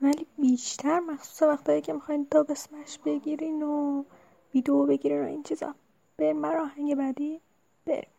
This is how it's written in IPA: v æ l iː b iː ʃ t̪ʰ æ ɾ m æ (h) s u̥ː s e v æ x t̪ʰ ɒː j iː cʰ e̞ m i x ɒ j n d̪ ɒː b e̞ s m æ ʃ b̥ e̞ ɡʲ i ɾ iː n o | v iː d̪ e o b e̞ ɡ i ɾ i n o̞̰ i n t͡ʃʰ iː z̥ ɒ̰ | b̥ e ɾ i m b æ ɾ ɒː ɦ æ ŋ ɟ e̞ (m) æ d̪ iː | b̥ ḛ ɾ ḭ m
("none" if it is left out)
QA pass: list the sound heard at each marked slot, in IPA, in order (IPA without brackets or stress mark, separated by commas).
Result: x, b